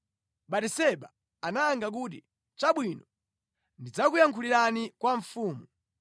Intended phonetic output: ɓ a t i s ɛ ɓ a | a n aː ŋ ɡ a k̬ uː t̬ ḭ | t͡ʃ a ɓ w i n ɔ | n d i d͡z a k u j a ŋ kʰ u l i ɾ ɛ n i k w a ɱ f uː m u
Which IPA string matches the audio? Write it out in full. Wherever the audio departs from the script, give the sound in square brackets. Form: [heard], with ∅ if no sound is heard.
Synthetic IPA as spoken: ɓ a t i s ɛ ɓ a | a n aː ŋ ɡ a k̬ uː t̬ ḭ | t͡ʃ a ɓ w i n ɔ | n d i d͡z a k u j a ŋ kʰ u l i ɾ [a] n i k w a ɱ f uː m u